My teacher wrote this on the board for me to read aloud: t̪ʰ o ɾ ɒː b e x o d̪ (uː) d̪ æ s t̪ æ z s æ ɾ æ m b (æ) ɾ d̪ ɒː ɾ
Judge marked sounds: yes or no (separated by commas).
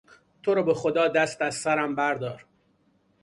no, yes